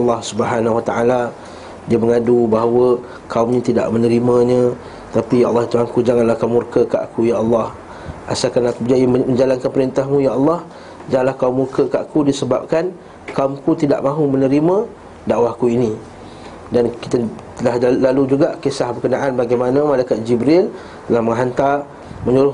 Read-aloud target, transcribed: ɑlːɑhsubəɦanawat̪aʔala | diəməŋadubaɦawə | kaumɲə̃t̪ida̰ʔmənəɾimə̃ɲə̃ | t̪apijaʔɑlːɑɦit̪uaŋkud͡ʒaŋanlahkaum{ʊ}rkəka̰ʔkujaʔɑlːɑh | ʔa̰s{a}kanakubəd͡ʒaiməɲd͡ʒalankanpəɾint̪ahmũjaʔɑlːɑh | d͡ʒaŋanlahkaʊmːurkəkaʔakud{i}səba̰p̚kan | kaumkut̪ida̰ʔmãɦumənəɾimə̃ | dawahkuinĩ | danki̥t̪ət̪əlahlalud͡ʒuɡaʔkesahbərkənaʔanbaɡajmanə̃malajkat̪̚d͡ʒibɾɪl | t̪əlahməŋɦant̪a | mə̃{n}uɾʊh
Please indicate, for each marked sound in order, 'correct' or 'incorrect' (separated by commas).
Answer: incorrect, correct, correct, incorrect